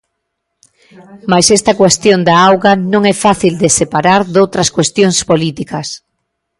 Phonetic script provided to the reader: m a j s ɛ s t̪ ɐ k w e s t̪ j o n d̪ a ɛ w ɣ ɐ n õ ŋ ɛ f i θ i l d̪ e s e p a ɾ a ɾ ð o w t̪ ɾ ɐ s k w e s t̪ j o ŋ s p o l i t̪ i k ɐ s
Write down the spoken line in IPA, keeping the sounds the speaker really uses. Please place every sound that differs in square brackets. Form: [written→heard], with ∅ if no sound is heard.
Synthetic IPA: m a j s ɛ s t̪ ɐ k w e s t̪ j o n d̪ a [ɛ→a] w ɣ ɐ n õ ŋ ɛ f [i→a] θ i l d̪ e s e p a ɾ a ɾ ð o w t̪ ɾ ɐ s k w e s t̪ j o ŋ s p o l i t̪ i k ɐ s